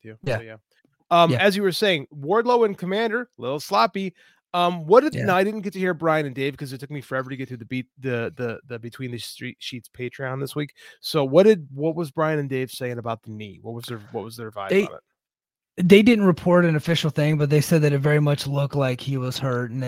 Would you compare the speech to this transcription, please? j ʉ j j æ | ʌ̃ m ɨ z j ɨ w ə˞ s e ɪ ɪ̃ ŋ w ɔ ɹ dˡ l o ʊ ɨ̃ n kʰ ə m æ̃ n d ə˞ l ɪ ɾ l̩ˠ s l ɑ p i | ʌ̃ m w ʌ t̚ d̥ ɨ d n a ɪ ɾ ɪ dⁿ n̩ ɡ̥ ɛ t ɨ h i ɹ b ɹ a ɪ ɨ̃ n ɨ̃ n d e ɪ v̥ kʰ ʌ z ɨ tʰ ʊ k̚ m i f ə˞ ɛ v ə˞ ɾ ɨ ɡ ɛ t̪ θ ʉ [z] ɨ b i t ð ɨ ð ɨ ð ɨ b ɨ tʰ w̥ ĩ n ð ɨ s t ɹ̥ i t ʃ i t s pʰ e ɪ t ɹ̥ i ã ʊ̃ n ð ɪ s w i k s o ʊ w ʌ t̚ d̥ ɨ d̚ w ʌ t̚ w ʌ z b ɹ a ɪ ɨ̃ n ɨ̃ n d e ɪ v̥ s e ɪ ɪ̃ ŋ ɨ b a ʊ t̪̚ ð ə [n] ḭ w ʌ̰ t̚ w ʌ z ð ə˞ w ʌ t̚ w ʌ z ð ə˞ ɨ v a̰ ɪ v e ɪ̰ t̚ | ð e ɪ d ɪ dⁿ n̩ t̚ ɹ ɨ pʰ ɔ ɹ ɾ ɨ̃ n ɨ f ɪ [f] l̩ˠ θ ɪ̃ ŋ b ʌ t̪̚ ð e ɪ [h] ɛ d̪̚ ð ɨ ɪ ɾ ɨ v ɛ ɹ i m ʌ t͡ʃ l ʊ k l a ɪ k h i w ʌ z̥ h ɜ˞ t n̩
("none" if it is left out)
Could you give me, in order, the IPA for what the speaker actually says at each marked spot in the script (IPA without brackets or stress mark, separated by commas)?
ð, n, ʃ, s